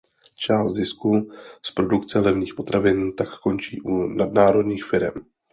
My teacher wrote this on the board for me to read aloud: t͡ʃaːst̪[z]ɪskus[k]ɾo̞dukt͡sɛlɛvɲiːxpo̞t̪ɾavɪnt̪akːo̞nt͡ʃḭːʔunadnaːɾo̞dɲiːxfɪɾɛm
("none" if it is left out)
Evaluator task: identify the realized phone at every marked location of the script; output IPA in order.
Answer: z, p

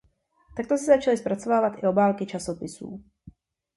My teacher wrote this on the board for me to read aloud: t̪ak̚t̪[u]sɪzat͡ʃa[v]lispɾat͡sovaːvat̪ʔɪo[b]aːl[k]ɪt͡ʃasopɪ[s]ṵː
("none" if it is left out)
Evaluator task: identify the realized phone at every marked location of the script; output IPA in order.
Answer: o, none, b, k, s

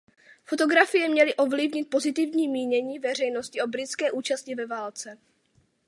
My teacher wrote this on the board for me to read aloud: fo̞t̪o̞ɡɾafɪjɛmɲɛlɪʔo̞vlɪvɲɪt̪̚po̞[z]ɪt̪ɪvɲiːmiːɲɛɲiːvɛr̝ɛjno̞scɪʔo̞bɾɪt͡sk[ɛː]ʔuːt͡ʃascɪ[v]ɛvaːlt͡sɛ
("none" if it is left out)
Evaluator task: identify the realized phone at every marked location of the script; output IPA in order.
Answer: z, ɛː, v

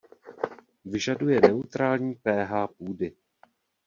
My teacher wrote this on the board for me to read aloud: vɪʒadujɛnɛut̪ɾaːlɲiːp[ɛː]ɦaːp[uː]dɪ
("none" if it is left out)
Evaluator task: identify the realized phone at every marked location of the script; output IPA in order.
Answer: ɛː, uː

